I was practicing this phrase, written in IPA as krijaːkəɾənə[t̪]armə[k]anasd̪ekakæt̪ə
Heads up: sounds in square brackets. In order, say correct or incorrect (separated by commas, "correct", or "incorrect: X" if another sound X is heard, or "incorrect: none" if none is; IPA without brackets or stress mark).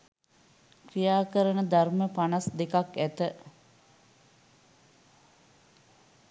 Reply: incorrect: d̪, incorrect: p